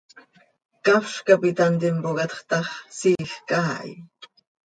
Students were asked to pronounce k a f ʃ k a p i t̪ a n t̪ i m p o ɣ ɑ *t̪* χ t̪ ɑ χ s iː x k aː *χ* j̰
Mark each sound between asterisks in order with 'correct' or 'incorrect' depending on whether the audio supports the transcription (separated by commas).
correct, incorrect